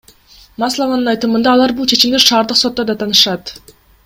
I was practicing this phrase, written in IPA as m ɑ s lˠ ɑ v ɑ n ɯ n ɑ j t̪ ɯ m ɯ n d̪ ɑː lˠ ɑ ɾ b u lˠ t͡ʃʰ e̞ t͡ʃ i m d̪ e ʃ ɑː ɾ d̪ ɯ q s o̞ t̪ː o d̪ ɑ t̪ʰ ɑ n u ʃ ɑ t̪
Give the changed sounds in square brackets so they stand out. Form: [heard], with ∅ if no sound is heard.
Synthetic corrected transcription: m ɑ s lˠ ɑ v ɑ n ɯ n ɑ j t̪ ɯ m ɯ n d̪ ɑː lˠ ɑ ɾ b u lˠ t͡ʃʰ e̞ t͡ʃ i m d̪ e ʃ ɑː ɾ d̪ ɯ q s o̞ t̪ː o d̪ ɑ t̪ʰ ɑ n [ɯ] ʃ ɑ t̪

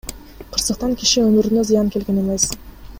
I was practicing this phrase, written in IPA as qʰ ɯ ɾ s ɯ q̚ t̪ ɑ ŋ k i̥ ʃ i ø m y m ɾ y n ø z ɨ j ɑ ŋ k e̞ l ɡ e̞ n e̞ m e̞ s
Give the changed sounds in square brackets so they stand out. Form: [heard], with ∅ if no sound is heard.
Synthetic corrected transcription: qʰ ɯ ɾ s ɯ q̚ t̪ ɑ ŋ k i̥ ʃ i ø m y [∅] ɾ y n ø z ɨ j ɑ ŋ k e̞ l ɡ e̞ n e̞ m e̞ s

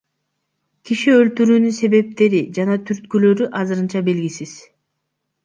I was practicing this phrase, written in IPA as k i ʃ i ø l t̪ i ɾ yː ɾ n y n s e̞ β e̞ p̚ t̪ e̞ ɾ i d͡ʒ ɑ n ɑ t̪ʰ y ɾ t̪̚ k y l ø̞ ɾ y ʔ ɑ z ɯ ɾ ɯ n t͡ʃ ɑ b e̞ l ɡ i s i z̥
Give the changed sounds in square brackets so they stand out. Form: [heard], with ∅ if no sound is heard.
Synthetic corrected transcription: k i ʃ i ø l t̪ [y] ɾ yː [∅] n y n s e̞ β e̞ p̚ t̪ e̞ ɾ i d͡ʒ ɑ n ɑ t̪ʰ y ɾ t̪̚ k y l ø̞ ɾ y ʔ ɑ z ɯ ɾ ɯ n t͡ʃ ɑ b e̞ l ɡ i s i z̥

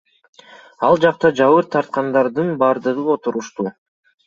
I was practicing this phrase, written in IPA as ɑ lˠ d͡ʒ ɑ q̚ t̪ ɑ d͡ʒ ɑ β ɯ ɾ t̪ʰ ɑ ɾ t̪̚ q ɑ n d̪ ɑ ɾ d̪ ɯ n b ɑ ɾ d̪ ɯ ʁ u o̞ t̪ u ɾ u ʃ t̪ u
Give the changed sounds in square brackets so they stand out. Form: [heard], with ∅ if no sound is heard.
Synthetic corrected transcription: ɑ lˠ d͡ʒ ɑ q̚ t̪ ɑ d͡ʒ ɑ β ɯ ɾ t̪ʰ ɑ ɾ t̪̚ q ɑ n d̪ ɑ ɾ d̪ ɯ n b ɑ ɾ d̪ ɯ ʁ [ɯ] o̞ t̪ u ɾ u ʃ t̪ u

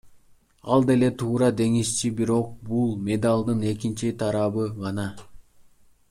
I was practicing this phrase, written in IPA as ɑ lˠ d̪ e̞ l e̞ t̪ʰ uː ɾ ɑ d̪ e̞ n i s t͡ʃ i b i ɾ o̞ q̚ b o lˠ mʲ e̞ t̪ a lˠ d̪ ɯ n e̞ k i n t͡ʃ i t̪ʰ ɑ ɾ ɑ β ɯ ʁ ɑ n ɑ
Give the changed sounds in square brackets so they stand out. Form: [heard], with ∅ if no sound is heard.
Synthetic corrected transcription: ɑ lˠ d̪ e̞ l e̞ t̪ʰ uː ɾ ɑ d̪ e̞ [ŋ] i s t͡ʃ i b i ɾ o̞ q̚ b [u] lˠ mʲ e̞ [d̪] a lˠ d̪ ɯ n e̞ k i n t͡ʃ i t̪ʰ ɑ ɾ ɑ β ɯ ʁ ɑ n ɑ

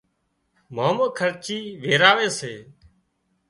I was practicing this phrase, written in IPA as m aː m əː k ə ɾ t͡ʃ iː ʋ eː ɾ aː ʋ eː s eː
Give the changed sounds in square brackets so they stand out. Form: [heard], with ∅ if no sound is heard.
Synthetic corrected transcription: m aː m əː [kʰ] ə ɾ t͡ʃ iː ʋ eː ɾ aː ʋ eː s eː

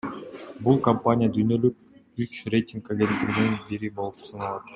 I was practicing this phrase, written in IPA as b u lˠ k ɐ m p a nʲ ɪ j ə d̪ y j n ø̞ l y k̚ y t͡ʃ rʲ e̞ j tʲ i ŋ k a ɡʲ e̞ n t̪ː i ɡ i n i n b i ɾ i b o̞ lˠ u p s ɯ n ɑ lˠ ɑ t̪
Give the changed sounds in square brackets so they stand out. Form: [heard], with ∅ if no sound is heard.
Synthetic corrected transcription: b u lˠ k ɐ m p a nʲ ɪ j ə d̪ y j n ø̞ l y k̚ y t͡ʃ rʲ e̞ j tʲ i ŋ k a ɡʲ e̞ n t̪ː i ɡ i n i n b i ɾ i b o̞ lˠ u p s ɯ n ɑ lˠ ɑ t̪

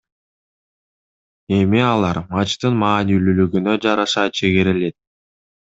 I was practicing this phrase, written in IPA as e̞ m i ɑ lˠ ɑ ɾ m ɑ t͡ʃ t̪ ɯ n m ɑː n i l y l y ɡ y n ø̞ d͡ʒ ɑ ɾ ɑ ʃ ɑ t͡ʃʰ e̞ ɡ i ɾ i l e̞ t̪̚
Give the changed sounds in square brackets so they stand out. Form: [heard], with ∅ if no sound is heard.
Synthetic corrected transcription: e̞ m i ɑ lˠ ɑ ɾ m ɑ t͡ʃ t̪ ɯ n m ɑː n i l y l y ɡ y n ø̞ d͡ʒ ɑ ɾ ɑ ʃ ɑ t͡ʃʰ e̞ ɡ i ɾ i l e̞ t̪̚

